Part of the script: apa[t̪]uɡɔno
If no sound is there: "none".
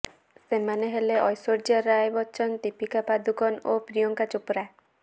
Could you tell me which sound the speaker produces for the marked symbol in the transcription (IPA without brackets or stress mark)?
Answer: d̪